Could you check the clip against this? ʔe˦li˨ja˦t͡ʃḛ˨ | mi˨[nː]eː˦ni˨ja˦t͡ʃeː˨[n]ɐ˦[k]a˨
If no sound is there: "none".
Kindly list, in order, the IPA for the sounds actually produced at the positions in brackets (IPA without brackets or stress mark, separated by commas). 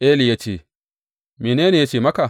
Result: n, m, k